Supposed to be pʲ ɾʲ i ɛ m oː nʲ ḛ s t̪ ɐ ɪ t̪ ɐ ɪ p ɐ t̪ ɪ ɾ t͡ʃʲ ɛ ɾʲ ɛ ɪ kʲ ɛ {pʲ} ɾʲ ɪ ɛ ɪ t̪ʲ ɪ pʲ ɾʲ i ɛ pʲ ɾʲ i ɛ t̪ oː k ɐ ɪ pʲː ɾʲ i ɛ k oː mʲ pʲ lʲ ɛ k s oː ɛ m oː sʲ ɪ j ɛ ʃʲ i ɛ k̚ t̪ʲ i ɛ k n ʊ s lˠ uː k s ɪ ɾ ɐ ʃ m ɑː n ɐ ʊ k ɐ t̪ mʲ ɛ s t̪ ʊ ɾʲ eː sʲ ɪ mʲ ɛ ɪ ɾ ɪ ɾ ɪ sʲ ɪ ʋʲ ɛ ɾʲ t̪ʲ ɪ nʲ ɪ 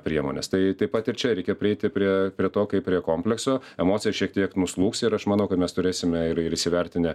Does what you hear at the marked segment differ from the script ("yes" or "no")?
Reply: no